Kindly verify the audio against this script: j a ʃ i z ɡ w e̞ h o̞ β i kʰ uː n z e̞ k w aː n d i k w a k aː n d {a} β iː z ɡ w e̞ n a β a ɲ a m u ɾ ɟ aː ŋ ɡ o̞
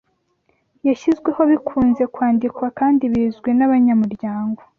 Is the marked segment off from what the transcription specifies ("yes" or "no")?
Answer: yes